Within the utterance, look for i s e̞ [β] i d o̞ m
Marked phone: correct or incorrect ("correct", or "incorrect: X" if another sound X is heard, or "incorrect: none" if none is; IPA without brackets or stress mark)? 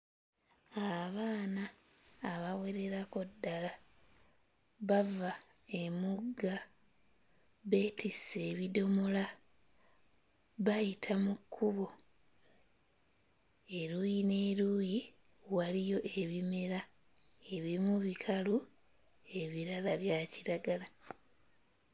correct